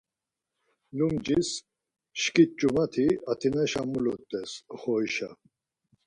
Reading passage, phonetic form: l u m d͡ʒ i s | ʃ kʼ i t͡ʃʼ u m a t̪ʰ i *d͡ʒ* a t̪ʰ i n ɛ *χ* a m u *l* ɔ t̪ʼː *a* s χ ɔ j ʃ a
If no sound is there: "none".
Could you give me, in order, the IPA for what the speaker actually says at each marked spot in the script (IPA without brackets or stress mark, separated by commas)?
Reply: none, ʃ, l, ɛ